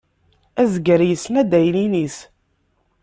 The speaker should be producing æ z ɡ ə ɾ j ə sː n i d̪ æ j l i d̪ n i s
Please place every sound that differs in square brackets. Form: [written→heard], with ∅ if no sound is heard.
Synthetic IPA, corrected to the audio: æ z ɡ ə ɾ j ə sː n [i→æ] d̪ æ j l i [d̪→∅] n i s